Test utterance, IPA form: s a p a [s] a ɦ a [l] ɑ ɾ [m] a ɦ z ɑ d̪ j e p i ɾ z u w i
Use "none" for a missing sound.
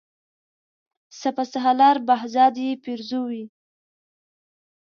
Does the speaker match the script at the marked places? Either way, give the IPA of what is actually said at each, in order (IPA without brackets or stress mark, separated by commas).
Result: s, l, b